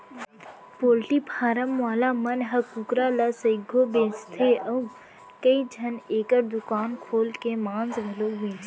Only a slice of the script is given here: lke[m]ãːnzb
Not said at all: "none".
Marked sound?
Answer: m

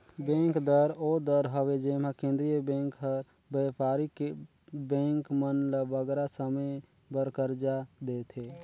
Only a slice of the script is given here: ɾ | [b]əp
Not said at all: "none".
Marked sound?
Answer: b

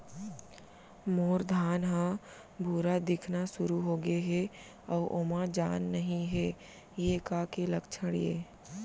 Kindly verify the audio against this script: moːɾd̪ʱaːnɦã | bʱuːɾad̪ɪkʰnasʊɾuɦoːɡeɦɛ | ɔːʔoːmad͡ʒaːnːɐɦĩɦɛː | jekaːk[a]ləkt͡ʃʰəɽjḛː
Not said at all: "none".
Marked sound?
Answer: e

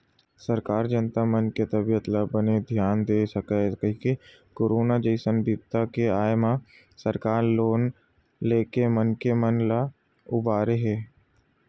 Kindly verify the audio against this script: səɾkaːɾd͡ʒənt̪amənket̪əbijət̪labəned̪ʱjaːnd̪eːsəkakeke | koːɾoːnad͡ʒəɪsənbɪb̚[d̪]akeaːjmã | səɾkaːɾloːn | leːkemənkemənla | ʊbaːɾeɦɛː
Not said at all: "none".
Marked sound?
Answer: t̪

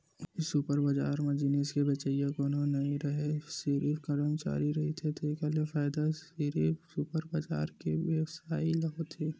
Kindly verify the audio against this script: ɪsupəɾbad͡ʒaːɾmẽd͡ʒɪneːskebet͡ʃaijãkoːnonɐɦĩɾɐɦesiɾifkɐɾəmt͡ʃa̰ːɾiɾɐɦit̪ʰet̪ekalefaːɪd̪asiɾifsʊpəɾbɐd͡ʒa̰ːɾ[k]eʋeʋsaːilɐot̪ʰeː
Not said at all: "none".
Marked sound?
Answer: k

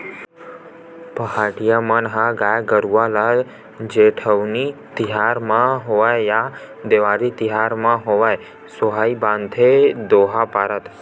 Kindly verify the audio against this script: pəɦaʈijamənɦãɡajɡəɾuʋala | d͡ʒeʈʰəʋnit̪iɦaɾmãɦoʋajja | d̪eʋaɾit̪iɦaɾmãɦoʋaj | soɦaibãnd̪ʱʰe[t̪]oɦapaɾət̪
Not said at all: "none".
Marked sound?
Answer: d̪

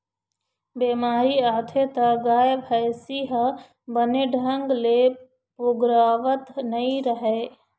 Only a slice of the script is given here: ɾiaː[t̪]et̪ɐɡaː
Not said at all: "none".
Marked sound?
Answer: t̪ʰ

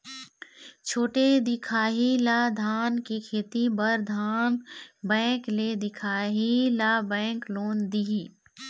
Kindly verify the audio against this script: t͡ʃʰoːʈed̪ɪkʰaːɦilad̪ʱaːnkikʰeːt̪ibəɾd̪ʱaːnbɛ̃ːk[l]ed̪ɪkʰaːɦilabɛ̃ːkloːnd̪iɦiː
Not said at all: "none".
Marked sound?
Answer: l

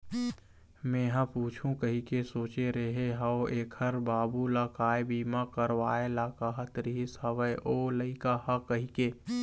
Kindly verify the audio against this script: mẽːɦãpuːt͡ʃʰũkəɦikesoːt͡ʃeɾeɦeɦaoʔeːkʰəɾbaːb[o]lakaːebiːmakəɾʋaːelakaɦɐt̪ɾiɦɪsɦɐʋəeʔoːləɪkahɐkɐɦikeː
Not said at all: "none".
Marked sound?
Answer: u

